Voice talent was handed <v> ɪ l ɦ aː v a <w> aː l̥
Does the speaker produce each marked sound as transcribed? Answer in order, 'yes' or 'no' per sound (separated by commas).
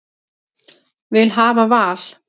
yes, no